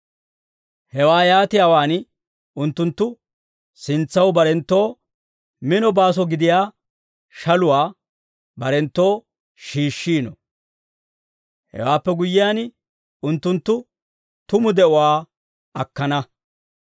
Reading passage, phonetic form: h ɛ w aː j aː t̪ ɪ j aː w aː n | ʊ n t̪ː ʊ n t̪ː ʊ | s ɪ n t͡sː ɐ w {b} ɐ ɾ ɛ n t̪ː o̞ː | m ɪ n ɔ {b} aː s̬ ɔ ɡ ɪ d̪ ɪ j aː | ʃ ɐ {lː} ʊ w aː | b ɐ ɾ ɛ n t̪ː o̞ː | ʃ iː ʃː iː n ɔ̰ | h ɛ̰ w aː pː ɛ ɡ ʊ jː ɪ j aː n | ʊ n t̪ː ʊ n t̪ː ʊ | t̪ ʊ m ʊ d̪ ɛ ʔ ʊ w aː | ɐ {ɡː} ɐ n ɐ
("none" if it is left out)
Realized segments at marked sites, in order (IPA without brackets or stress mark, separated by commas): b, b, l, kː